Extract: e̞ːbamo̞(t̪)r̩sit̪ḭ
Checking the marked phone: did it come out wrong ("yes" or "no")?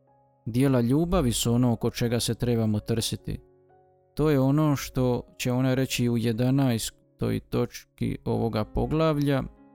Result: no